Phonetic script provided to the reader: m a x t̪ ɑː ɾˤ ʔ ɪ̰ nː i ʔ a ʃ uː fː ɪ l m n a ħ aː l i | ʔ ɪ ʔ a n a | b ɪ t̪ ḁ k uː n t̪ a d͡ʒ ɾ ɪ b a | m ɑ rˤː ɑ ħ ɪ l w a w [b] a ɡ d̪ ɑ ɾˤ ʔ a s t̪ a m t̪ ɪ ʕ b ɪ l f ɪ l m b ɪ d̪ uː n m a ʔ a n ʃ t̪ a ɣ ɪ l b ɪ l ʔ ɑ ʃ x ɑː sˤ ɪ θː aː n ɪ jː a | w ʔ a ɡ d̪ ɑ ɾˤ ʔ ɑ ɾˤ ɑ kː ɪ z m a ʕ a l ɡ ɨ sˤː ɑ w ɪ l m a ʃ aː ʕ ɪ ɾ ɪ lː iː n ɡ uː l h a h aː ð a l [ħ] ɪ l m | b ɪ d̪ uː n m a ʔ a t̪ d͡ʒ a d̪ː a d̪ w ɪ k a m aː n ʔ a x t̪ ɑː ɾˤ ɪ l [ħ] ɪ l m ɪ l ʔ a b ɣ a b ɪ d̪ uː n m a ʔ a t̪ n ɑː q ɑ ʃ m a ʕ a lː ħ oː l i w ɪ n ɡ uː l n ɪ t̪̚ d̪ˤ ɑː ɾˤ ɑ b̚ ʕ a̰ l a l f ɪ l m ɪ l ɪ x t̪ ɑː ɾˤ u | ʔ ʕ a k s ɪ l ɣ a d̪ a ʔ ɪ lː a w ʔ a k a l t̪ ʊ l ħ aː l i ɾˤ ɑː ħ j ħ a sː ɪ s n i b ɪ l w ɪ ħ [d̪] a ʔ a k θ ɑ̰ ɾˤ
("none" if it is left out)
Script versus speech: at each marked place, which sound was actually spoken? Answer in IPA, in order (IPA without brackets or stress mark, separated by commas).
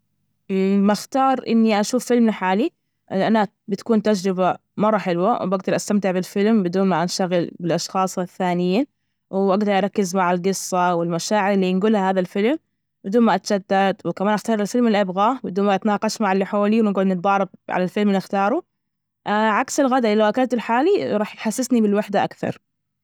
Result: b, f, f, d̪